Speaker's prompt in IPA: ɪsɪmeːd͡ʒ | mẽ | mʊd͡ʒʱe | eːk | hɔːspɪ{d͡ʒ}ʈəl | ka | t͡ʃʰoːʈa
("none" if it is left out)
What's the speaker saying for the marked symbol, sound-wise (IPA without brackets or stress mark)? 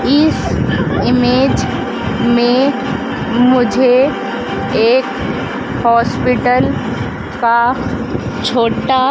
none